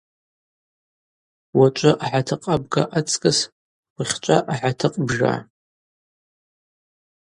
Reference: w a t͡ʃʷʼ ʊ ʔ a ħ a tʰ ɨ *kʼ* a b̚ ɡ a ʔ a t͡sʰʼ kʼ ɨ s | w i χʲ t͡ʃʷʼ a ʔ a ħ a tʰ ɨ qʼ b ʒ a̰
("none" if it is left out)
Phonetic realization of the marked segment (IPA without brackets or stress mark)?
qʼ